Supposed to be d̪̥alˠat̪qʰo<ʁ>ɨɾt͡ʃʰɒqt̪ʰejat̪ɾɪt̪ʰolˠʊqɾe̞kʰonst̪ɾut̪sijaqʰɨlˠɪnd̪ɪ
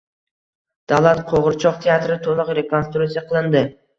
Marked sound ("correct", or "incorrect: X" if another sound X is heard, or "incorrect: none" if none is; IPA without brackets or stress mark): correct